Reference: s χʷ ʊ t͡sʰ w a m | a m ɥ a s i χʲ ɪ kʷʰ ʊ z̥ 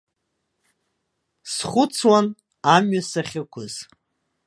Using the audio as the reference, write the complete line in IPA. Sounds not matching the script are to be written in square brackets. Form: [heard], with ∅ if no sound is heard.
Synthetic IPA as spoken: s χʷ ʊ t͡sʰ w a [n] | a m ɥ a s [a] χʲ ɪ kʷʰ ʊ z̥